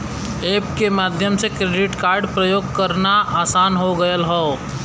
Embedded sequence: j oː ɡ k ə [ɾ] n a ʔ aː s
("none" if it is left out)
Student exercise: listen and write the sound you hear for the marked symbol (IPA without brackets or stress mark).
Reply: ɾ